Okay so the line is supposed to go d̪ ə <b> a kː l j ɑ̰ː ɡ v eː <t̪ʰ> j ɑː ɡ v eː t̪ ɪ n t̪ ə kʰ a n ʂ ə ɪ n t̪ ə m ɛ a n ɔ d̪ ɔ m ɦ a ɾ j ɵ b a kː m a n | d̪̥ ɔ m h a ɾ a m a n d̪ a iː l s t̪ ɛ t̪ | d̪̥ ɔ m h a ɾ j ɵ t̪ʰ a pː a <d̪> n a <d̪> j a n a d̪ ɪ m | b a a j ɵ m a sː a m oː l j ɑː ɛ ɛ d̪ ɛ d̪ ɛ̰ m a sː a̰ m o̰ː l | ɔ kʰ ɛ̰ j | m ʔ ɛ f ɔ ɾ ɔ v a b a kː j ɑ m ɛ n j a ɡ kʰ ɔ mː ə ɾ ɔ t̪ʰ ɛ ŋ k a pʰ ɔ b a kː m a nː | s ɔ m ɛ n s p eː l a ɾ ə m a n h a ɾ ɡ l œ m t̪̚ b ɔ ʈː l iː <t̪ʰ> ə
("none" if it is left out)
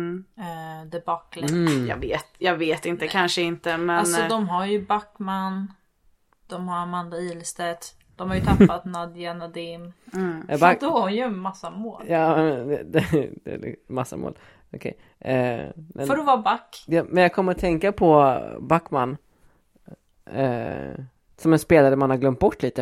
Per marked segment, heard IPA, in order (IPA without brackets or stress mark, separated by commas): b, t̪, t̪, d̪, t̪